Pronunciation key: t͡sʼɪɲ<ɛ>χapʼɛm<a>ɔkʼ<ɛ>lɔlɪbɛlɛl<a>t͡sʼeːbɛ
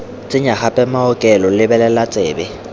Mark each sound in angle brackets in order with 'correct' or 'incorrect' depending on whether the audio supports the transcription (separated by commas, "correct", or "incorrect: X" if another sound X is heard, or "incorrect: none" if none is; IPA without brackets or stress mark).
incorrect: a, correct, correct, correct